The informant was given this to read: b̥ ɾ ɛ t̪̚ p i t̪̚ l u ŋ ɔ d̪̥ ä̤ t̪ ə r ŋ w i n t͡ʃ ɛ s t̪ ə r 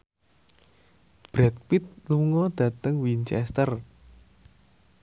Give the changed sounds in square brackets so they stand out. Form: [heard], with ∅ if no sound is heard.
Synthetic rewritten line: b̥ ɾ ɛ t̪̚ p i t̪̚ l u ŋ ɔ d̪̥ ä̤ t̪ ə [∅] ŋ w i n t͡ʃ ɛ s t̪ ə r